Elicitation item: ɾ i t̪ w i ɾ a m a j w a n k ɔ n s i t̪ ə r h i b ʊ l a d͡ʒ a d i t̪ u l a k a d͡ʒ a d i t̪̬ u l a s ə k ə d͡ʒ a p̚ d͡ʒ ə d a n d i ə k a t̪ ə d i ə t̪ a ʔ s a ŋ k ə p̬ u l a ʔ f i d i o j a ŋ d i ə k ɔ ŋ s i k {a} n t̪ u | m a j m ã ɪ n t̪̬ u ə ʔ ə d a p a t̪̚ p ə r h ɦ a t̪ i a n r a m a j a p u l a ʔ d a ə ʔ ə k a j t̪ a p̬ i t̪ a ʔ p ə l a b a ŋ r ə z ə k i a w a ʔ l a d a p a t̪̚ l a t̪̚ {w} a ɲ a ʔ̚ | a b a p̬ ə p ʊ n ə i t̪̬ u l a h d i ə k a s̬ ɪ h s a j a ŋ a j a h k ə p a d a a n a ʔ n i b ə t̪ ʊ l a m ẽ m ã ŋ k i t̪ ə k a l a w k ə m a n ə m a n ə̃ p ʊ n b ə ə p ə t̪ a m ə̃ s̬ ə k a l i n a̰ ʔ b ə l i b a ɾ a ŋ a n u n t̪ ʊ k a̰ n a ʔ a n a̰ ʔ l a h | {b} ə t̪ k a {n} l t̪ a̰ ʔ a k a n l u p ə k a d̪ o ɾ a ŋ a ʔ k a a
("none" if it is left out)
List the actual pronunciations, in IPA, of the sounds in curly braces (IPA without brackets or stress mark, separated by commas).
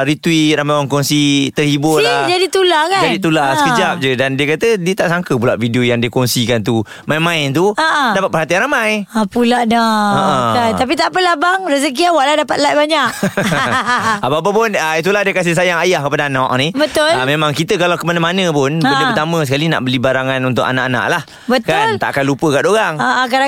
a, b, b, n